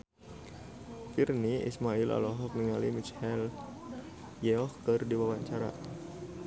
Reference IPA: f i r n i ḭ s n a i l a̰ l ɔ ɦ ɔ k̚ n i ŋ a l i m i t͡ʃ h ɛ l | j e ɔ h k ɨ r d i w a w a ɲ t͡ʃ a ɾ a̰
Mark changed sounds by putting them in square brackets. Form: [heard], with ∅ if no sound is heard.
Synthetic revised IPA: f i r n i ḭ s [m] a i l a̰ l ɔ ɦ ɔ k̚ n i ŋ a l i m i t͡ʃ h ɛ l | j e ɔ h k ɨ r d i w a w a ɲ t͡ʃ a ɾ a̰